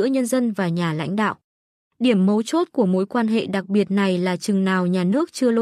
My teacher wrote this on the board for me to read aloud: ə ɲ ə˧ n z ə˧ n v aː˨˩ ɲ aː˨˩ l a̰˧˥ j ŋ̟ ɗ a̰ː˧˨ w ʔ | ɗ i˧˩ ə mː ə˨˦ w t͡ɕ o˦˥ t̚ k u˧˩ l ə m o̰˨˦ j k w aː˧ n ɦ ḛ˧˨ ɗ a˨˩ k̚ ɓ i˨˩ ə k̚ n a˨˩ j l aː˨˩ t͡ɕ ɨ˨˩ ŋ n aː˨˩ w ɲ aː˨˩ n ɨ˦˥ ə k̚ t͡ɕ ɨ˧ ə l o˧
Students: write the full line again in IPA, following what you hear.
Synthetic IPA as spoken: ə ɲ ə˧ n z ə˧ n v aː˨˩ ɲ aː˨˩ l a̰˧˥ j ŋ̟ ɗ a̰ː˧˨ w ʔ | ɗ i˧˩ ə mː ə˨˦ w t͡ɕ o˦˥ t̚ k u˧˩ ə m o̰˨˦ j k w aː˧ n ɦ ḛ˧˨ ɗ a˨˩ k̚ ɓ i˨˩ ə t̚ n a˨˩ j l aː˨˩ t͡ɕ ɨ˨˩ ŋ n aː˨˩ w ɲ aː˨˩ n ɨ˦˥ ə k̚ t͡ɕ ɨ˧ ə l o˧